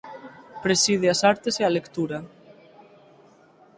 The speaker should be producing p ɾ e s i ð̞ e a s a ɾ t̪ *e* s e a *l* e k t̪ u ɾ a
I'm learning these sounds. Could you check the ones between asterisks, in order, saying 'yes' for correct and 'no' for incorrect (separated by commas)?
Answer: yes, yes